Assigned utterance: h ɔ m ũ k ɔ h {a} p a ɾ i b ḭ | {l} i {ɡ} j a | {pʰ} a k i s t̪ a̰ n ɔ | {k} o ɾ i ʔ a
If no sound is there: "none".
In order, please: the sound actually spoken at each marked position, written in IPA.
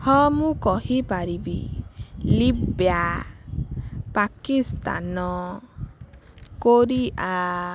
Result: i, l, b, p, k

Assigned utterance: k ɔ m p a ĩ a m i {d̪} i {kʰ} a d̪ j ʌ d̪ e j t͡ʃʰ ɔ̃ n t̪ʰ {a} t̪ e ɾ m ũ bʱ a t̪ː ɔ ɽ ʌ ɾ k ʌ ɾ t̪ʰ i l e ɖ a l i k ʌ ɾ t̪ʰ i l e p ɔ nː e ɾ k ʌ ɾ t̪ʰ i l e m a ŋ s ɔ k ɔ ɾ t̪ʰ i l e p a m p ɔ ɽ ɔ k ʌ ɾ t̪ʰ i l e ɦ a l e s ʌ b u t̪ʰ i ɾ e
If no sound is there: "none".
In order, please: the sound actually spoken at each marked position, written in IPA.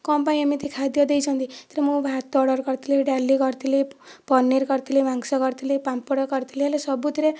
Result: t̪, kʰ, i

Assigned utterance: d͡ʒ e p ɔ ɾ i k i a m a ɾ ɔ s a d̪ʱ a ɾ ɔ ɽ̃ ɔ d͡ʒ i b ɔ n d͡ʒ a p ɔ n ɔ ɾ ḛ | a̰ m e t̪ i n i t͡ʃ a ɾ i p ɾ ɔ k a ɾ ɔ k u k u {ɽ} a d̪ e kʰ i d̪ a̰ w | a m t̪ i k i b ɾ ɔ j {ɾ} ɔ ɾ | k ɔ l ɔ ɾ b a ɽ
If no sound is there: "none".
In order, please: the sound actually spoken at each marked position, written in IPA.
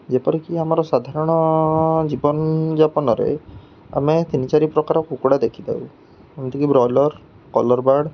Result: ɽ, l

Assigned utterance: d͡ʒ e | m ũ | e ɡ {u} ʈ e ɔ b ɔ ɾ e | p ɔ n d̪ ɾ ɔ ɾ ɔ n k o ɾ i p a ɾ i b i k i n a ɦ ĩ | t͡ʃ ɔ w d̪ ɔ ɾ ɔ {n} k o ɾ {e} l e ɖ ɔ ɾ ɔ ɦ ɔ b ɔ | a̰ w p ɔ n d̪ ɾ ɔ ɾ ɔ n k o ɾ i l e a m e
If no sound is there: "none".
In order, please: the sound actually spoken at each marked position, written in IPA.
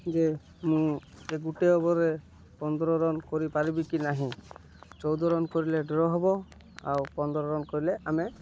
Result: u, n, i

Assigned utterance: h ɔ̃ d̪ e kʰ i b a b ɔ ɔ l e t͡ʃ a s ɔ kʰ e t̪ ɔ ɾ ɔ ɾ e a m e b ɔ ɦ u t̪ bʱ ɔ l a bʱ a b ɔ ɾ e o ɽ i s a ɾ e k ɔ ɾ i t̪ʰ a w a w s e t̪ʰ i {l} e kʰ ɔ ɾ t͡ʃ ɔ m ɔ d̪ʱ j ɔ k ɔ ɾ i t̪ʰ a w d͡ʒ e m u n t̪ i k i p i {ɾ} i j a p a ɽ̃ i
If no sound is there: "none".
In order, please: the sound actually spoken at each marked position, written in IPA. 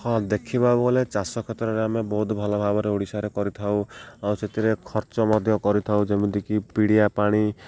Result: ɾ, ɽ

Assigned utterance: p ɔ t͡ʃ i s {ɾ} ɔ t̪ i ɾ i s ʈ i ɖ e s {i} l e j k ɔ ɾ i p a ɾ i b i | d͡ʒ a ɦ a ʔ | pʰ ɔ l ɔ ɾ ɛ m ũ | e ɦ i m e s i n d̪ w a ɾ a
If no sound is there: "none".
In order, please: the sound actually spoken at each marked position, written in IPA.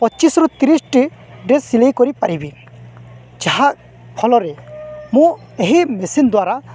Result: ɾ, i

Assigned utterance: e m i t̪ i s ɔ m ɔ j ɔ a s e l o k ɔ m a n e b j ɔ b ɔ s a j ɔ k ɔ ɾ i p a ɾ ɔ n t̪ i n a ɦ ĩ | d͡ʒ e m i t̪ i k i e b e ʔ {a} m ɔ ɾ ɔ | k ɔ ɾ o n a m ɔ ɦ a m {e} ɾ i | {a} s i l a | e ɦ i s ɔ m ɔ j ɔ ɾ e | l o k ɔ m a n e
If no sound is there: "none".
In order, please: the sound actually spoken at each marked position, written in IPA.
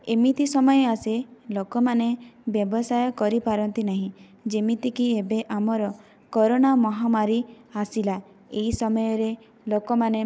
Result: a, a, a

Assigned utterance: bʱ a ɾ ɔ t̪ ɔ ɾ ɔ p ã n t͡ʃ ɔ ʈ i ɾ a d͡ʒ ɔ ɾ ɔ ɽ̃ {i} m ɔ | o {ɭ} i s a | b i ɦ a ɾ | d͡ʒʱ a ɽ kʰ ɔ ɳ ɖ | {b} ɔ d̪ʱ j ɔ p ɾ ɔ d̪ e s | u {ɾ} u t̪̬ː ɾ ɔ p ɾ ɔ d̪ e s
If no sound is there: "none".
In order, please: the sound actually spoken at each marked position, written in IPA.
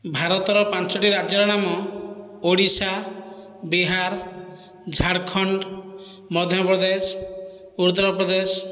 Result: a, ɽ, m, ɾ

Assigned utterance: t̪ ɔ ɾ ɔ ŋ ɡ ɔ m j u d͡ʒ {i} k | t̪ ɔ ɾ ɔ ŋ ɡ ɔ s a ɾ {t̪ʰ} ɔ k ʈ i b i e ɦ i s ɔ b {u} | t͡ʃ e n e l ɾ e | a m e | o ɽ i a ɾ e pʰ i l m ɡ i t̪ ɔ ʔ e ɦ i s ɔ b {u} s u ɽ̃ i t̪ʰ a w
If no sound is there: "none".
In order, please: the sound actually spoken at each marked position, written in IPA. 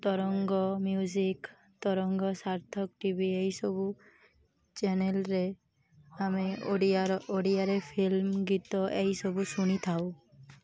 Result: i, t̪ʰ, u, u

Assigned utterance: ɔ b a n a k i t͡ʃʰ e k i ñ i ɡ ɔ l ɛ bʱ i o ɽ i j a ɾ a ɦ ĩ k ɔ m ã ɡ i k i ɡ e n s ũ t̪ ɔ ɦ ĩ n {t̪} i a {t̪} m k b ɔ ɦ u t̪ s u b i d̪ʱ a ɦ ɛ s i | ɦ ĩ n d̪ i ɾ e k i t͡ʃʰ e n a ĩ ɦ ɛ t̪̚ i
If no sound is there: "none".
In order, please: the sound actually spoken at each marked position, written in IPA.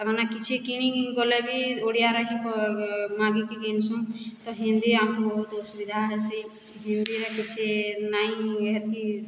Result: d̪, none

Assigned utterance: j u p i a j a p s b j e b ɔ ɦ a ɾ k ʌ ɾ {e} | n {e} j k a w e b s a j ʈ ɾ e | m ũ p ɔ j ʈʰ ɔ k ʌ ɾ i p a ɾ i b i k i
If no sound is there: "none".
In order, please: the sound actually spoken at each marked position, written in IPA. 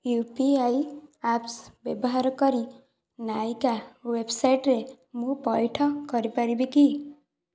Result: i, a

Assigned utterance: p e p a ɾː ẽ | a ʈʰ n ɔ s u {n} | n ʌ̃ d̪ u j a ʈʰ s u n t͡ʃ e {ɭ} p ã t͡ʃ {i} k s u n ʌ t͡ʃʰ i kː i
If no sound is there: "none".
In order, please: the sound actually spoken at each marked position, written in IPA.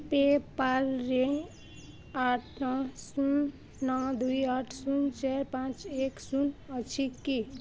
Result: n, ɾ, e

